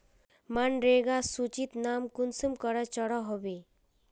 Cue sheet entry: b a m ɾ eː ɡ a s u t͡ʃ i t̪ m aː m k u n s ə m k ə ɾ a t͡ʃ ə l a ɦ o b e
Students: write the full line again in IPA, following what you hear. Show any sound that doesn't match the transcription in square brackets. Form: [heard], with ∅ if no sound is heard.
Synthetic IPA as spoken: [m] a [n] ɾ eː ɡ a s u t͡ʃ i t̪ [n] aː m k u n s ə m k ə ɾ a t͡ʃ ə [ɽ] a ɦ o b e